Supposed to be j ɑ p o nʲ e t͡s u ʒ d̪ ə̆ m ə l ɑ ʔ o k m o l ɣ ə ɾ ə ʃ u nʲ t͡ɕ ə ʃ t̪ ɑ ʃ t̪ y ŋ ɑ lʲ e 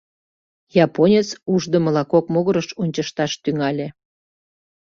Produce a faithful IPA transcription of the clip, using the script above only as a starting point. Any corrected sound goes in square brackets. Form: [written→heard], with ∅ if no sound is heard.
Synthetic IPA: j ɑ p o nʲ e t͡s u ʒ d̪ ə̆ m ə l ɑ [ʔ→k] o k m o [l→∅] ɣ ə ɾ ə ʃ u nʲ t͡ɕ ə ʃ t̪ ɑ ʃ t̪ y ŋ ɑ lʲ e